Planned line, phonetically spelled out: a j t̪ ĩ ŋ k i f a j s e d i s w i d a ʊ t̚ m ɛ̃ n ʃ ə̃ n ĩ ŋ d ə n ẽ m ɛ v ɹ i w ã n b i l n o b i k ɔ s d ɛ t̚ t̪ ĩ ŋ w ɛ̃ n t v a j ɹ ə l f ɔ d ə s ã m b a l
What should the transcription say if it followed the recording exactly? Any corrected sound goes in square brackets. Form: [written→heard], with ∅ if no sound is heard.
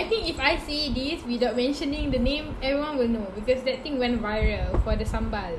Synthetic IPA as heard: a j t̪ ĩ ŋ k i f a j s e d i s w i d a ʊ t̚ m ɛ̃ n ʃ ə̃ n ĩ ŋ d ə n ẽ m ɛ v ɹ i w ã n [b→w] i l n o b i k ɔ s d ɛ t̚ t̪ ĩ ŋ w ɛ̃ n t v a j ɹ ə l f ɔ d ə s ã m b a l